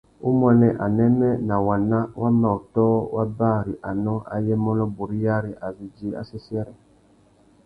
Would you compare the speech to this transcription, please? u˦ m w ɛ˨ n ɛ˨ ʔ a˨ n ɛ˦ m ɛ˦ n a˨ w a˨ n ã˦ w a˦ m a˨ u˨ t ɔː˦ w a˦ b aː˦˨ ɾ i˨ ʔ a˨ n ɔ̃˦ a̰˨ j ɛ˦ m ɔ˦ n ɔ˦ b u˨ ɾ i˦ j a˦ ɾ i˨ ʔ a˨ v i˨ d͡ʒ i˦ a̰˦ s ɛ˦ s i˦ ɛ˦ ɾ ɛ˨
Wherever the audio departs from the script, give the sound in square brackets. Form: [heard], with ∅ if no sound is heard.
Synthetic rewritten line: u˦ m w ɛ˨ n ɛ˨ ʔ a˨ n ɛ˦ m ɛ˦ n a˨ w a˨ n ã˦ w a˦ m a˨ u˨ t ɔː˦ w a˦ b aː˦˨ ɾ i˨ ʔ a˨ n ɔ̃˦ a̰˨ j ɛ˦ m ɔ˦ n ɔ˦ b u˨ ɾ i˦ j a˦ ɾ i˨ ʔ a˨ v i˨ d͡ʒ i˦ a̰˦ s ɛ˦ s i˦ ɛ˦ ɾ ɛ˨

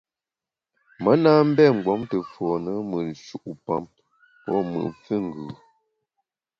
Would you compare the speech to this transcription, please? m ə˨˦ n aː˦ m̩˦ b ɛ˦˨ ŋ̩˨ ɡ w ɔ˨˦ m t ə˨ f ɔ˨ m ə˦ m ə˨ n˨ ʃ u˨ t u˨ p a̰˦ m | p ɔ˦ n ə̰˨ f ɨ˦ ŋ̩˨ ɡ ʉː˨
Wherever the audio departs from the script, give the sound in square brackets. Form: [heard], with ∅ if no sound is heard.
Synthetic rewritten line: m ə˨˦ n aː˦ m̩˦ b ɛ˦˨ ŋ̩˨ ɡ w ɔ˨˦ m t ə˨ f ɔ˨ [n] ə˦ m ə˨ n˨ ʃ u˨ [ʔ] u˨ p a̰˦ m | p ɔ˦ [m] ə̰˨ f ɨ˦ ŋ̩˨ ɡ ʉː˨

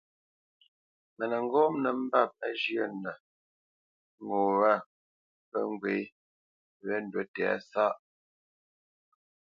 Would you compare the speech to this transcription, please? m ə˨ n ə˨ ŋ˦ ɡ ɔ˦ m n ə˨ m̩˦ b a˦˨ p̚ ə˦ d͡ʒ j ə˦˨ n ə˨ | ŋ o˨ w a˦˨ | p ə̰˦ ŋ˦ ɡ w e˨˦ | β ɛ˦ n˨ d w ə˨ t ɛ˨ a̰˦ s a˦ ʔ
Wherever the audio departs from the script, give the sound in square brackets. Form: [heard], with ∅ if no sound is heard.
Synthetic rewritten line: m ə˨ n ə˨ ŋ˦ ɡ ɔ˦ m n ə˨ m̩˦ b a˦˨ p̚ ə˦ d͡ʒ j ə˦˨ n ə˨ | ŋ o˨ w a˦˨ | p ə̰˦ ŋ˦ ɡ w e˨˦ | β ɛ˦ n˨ d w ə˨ t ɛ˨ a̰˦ s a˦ ʔ

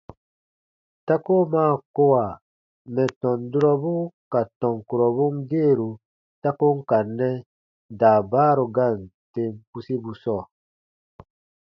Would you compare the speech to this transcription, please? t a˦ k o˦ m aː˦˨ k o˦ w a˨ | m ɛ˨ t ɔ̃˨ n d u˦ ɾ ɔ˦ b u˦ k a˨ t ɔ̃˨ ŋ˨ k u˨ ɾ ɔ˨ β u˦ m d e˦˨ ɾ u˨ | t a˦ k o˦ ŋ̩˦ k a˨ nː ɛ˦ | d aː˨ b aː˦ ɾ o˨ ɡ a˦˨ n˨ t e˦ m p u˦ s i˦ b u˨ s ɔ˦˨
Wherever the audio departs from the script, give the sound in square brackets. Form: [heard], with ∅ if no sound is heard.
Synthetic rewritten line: t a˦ k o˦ m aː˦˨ k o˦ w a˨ | m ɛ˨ t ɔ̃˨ n d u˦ ɾ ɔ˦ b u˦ k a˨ t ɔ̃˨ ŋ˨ k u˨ ɾ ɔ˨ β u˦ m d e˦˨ ɾ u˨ | t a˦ k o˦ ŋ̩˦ k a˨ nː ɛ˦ | d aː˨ b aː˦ ɾ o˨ ɡ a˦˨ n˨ t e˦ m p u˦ s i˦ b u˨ s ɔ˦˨

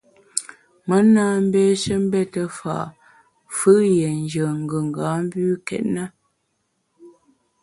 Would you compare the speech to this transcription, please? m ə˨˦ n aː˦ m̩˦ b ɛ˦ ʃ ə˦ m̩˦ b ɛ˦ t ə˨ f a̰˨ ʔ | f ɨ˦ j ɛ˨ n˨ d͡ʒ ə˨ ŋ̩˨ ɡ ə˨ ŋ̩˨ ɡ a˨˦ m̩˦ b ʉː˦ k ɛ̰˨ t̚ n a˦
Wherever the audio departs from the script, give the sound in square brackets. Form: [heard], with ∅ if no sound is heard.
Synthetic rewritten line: m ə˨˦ n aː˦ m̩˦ b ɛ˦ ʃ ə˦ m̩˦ b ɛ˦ t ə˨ f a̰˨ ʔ | f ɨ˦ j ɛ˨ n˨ d͡ʒ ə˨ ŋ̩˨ ɡ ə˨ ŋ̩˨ ɡ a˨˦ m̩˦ b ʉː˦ k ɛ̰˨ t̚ n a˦

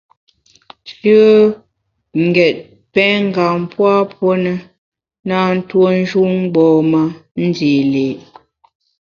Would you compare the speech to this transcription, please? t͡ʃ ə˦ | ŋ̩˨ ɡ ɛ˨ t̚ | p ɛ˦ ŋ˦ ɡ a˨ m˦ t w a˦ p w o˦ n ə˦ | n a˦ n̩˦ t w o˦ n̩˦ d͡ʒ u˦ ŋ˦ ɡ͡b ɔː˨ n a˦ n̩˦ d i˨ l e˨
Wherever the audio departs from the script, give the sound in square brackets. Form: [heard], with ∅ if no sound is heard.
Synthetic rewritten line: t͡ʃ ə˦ | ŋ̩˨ ɡ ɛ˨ t̚ | p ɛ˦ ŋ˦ ɡ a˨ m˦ [p] w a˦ p w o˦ n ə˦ | n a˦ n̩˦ t w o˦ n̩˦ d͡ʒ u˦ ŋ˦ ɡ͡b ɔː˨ [m] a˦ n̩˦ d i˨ l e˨

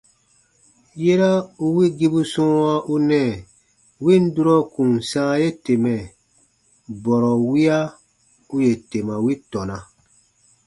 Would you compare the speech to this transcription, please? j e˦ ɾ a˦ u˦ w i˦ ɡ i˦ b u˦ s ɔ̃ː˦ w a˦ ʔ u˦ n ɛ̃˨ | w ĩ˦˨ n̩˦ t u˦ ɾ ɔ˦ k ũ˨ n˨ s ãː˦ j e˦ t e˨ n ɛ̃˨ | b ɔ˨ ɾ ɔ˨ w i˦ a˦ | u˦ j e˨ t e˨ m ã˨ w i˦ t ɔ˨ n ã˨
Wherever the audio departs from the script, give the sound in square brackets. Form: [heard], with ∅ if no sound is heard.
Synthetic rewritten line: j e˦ ɾ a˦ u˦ w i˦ ɡ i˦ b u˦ s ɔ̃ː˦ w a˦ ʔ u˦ n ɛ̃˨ | w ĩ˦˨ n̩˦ [d] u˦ ɾ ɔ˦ k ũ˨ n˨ s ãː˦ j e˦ t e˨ [m] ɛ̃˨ | b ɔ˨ ɾ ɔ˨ w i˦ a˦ | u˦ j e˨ t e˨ m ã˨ w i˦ t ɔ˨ n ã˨

